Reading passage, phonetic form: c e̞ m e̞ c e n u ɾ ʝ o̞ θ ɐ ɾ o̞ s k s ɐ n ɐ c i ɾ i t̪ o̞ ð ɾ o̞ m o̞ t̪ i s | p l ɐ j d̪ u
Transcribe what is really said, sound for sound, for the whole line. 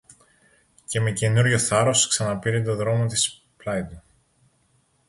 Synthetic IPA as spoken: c e̞ m e̞ c e n u ɾ ʝ o̞ θ ɐ ɾ o̞ s k s ɐ n ɐ p i ɾ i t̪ o̞ ð ɾ o̞ m o̞ t̪ i s | p l ɐ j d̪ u